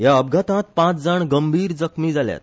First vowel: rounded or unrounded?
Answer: unrounded